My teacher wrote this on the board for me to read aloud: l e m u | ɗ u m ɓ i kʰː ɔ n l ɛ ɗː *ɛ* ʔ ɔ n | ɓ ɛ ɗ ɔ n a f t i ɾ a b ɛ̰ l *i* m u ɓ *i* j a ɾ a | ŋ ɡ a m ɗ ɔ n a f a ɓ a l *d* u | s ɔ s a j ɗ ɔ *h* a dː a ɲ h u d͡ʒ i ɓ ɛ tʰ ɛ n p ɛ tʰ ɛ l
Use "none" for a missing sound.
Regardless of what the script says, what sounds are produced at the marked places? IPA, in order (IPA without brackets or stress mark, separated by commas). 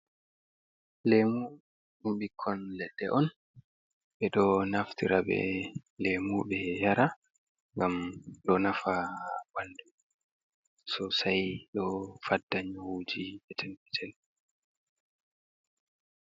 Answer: ɛ, e, ɛ, d, f